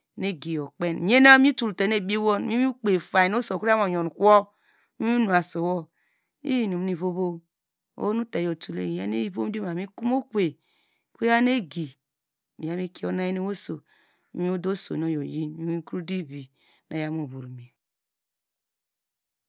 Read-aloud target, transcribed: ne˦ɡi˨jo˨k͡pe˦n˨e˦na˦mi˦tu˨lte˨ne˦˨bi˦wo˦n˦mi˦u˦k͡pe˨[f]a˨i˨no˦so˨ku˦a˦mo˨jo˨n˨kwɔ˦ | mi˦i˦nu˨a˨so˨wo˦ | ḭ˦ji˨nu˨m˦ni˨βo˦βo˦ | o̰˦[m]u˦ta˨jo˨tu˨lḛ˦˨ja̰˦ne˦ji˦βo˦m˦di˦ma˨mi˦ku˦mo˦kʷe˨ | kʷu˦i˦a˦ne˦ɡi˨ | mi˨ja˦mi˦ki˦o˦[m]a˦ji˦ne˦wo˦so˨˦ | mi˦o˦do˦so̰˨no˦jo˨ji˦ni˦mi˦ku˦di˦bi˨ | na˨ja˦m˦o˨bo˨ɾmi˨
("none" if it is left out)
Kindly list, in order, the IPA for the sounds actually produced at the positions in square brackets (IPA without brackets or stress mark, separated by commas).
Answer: f, n, n